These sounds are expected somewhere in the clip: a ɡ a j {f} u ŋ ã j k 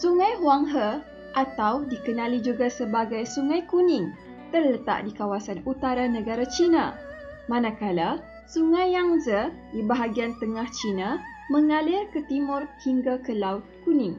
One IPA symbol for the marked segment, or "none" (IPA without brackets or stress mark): s